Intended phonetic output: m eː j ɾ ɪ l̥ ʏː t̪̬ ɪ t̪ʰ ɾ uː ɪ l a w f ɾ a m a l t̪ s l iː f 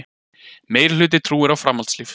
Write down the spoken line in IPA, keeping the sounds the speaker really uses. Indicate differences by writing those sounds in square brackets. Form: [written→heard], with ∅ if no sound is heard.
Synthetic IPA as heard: m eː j ɾ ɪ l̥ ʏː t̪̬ ɪ t̪ʰ ɾ uː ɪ [l→ɾ] a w f ɾ a m a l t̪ s l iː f